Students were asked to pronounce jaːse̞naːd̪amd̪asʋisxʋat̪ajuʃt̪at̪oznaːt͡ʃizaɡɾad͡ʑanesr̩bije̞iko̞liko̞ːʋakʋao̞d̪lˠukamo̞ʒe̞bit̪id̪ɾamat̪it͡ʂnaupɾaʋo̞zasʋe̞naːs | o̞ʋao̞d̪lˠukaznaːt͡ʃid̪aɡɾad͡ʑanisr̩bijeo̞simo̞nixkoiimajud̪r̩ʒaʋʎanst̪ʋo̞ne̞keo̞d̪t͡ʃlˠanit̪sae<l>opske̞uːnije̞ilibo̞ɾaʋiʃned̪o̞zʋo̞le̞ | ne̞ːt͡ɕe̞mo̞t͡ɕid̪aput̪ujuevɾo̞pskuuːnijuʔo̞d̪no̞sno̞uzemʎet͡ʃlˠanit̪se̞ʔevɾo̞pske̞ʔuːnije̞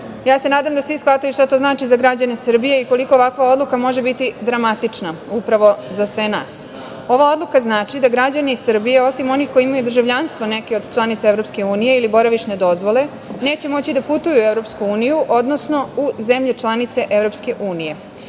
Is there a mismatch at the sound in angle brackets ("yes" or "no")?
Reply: yes